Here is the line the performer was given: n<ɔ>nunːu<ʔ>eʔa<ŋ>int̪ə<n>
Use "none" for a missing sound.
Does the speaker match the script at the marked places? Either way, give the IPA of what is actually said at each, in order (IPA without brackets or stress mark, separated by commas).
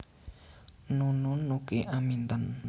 u, k, m, n